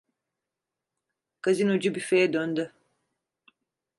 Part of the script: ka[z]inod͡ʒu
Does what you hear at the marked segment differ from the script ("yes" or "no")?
no